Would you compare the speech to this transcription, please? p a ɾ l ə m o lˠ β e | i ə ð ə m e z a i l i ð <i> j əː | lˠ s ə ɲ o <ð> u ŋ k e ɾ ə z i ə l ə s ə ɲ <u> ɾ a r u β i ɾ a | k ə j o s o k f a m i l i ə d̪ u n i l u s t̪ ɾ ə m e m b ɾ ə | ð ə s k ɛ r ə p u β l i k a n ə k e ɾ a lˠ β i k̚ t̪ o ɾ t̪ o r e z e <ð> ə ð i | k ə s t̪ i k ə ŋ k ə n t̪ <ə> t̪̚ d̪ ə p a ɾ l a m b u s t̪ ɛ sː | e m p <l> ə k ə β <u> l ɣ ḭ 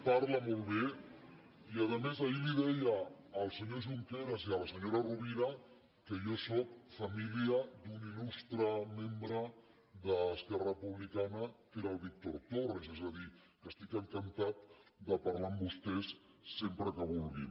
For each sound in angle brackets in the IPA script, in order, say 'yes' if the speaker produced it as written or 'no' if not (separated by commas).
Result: no, no, no, no, no, no, yes